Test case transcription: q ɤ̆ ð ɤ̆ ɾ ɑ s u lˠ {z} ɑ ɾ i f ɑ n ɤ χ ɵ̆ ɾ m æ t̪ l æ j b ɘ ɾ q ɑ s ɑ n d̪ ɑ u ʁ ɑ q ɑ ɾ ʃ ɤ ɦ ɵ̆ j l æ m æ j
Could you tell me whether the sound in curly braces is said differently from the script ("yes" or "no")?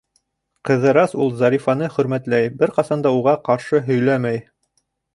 no